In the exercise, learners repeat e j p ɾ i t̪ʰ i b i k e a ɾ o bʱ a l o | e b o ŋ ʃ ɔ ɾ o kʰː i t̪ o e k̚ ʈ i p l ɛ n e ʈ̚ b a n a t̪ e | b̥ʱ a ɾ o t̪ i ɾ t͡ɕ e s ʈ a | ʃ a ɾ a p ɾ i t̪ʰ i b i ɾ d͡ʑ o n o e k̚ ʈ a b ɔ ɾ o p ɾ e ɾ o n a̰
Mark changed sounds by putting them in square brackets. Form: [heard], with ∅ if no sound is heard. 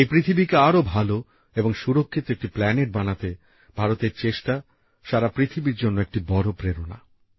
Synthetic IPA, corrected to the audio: e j p ɾ i t̪ʰ i b i k e a ɾ o bʱ a l o | e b o ŋ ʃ [u] ɾ o kʰː i t̪ o e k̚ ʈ i p l ɛ n e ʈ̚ b a n a t̪ e | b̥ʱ a ɾ o t̪ [e] ɾ t͡ɕ e [ʃ] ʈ a | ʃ a ɾ a p ɾ i t̪ʰ i b i ɾ d͡ʑ o [nː] o e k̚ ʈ [i] b ɔ ɾ o p ɾ e ɾ o n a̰